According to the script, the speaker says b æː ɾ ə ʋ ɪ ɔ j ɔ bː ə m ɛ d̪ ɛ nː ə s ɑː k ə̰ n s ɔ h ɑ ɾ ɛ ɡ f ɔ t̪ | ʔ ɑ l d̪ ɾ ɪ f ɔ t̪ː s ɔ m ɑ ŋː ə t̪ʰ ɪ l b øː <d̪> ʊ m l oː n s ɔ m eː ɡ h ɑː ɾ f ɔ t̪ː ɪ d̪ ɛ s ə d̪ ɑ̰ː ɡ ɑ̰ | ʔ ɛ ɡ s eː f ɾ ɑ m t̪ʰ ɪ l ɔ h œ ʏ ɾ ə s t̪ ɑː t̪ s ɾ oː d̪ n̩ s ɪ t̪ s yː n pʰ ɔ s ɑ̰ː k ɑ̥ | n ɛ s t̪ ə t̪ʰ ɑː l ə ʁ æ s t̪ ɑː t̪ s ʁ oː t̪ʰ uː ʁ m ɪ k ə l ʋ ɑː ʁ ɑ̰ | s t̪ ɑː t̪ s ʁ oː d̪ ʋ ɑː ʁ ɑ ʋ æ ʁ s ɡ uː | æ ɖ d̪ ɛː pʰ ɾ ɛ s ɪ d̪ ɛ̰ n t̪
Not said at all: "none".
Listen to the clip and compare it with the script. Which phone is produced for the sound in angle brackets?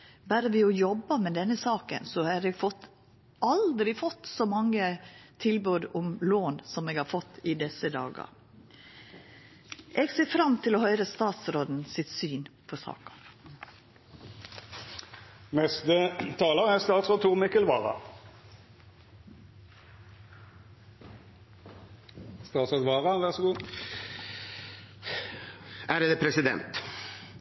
d̪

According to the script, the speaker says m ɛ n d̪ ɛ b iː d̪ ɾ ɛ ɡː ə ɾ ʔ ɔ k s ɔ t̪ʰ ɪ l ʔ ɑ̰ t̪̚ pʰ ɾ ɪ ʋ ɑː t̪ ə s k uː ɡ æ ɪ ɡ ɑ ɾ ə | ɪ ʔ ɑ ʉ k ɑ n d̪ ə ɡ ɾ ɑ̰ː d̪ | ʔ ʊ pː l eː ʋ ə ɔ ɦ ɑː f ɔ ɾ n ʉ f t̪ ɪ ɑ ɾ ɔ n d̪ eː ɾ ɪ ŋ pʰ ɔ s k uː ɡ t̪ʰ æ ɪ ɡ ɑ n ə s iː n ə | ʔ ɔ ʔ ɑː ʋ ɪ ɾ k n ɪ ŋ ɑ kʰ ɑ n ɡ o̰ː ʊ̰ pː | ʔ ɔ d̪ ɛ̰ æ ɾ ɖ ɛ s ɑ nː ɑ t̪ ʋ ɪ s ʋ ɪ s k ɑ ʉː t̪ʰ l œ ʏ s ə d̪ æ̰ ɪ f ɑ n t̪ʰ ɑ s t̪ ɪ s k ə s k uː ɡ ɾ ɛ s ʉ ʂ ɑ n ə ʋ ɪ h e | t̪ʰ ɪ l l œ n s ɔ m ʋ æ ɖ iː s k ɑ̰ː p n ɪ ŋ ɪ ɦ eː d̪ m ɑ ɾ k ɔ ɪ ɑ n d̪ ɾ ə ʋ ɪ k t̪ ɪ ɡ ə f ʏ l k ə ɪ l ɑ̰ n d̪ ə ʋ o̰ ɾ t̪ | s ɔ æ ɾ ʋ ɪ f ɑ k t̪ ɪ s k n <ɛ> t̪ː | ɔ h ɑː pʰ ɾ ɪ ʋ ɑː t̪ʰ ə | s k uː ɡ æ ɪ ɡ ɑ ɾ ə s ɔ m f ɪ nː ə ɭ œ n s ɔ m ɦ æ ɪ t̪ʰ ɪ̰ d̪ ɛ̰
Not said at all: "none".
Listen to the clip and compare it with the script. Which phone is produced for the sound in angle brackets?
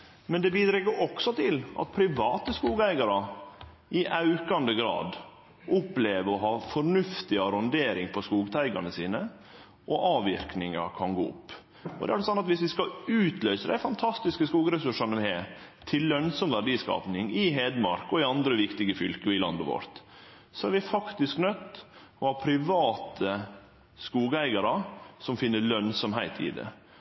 œ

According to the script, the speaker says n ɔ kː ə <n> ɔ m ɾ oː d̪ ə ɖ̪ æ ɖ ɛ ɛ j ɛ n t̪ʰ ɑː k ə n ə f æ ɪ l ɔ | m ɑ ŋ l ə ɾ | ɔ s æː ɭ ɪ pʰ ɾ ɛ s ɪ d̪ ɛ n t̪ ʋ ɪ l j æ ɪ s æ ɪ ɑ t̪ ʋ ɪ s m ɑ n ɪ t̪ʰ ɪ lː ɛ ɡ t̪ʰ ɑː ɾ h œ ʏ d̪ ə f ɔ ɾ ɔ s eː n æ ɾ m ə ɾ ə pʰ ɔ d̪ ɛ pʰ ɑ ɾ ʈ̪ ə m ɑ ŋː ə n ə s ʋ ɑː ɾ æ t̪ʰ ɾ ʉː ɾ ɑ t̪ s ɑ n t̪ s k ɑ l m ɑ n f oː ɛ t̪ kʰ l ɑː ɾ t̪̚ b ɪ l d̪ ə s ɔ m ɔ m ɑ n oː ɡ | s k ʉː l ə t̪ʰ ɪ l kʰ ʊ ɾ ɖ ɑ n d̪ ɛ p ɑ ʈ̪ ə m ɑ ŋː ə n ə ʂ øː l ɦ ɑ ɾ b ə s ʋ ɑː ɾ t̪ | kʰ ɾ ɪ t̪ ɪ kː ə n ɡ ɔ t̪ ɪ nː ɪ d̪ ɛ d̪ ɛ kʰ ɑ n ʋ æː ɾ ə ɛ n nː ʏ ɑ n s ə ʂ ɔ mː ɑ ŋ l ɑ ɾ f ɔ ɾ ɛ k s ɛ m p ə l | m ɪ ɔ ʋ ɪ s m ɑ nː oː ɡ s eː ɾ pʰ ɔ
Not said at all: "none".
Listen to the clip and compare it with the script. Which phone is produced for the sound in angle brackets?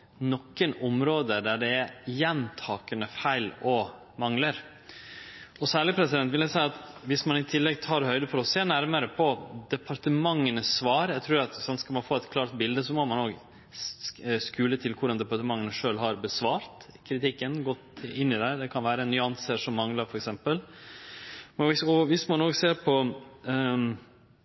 n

